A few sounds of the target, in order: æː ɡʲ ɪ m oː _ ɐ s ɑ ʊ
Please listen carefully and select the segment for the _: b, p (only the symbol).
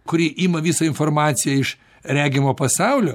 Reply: p